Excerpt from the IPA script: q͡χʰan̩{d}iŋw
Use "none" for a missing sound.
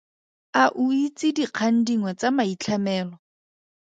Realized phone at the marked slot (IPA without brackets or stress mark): d